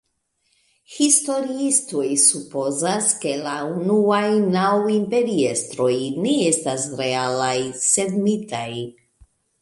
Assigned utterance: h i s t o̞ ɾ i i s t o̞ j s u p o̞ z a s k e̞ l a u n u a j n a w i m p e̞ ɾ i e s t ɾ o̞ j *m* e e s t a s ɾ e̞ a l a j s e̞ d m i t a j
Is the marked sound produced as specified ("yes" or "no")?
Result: no